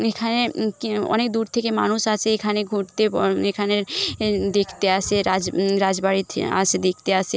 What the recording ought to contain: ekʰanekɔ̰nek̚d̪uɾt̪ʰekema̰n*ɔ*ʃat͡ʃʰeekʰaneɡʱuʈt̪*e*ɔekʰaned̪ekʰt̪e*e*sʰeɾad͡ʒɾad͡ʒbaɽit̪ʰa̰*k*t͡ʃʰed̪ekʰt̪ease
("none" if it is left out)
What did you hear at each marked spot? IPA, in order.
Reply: u, e, a, none

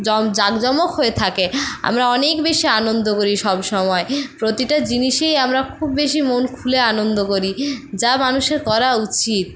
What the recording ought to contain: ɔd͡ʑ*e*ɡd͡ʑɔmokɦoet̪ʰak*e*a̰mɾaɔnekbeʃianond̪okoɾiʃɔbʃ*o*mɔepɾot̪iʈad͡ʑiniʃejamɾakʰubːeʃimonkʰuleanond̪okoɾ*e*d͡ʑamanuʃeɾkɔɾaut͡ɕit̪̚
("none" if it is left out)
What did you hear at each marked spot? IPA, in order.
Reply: a, e, ɔ, i

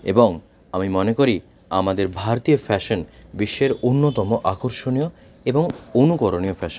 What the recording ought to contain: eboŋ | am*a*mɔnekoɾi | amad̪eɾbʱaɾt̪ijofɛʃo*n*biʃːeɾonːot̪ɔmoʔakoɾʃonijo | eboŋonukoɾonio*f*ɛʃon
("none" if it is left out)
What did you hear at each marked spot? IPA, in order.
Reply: i, n, f

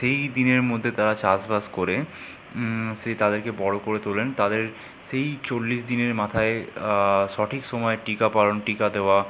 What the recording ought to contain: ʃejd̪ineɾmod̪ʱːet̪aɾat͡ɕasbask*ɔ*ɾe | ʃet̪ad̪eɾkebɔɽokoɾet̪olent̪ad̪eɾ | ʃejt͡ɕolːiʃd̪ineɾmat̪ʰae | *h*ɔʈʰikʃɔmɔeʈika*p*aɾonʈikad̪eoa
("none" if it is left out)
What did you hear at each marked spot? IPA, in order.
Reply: o, ʃ, p

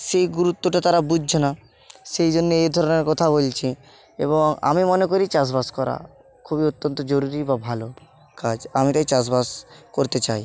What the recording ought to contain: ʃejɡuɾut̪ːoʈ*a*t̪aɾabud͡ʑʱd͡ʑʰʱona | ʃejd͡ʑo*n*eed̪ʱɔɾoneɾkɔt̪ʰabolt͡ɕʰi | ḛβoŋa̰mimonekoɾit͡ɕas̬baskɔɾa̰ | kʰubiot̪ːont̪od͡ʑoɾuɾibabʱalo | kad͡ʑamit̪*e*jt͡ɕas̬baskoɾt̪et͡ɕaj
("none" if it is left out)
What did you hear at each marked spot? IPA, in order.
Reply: a, nː, a

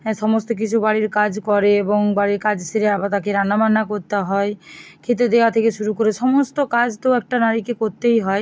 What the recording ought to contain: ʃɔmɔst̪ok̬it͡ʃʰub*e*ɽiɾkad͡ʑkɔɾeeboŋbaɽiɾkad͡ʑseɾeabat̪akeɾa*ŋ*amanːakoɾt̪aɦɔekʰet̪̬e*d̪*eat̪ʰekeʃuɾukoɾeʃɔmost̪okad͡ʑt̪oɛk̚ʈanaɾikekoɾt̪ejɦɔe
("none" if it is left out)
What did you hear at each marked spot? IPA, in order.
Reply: a, n, d̪

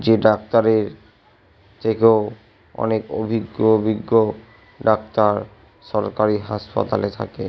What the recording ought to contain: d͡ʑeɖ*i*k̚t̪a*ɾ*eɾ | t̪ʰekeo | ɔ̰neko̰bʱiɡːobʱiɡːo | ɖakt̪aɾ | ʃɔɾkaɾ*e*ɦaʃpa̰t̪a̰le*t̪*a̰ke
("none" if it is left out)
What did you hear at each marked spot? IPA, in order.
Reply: a, ɾ, i, t̪ʰ

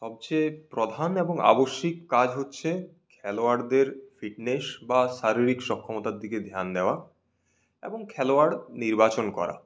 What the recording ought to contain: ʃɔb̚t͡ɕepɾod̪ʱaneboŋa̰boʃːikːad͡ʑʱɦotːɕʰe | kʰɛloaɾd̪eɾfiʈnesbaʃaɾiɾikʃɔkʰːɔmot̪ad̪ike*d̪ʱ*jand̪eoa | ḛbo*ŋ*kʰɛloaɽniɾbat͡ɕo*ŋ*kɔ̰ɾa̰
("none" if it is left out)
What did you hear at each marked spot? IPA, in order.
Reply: d̪ʱ, ŋ, n

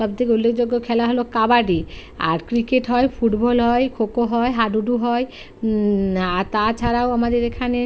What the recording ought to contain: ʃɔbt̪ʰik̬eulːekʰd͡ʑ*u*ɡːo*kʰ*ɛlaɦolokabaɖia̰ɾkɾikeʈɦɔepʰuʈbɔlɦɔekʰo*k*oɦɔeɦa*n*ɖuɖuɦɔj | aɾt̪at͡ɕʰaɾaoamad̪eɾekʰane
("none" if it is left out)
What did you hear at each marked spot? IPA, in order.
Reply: o, kʰ, k, none

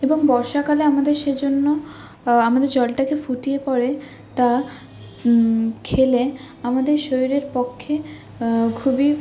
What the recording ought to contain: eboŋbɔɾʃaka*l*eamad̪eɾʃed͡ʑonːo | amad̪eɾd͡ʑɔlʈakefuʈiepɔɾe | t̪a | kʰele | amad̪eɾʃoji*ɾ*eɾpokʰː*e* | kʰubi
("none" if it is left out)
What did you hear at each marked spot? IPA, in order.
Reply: l, ɾ, e

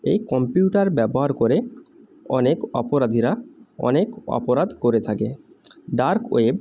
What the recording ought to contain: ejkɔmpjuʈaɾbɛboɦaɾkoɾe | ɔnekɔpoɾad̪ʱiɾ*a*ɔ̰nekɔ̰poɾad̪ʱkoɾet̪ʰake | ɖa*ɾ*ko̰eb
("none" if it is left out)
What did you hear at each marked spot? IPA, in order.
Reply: a, ɾ

